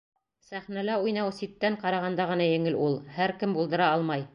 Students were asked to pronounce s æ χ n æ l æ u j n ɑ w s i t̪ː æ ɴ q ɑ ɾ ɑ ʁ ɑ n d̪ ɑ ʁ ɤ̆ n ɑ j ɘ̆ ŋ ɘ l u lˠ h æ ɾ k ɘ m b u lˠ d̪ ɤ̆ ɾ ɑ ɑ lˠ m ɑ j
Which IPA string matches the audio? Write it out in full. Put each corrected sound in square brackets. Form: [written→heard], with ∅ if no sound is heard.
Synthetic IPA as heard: s æ χ n æ l æ u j n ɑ w s i t̪ː æ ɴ q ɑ ɾ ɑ ʁ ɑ n d̪ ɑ ʁ ɤ̆ n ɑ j ɘ̆ ŋ ɘ l u lˠ h æ ɾ k ɘ m b u lˠ d̪ ɤ̆ ɾ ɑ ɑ lˠ m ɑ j